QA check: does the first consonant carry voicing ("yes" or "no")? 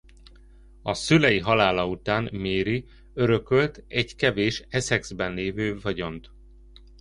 no